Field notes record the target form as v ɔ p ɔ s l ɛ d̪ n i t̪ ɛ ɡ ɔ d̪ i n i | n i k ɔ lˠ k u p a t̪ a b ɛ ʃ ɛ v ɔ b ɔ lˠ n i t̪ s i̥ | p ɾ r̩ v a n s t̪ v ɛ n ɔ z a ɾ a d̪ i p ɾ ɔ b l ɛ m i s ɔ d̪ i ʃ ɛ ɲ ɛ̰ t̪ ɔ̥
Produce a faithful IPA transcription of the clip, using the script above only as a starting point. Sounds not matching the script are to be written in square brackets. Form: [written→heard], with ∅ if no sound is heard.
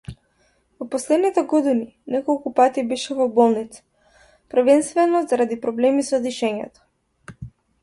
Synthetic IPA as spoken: v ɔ p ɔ s l ɛ d̪ n i t̪ ɛ ɡ ɔ d̪ i n i | n [i→ɛ] k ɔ lˠ k u p a t̪ [a→i] b ɛ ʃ ɛ v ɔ b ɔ lˠ n i t̪ s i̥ | p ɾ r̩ v [a→ɛ] n s t̪ v ɛ n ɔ z a ɾ a d̪ i p ɾ ɔ b l ɛ m i s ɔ d̪ i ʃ ɛ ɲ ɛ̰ t̪ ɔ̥